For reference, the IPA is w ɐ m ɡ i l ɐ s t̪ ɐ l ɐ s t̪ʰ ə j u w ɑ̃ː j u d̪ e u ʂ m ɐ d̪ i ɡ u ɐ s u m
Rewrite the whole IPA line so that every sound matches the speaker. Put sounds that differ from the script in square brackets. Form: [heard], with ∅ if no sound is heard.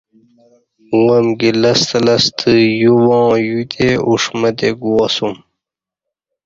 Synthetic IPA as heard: w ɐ m ɡ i l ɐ s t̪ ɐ l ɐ s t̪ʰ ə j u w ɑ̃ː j u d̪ e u ʂ m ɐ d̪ [e] ɡ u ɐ s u m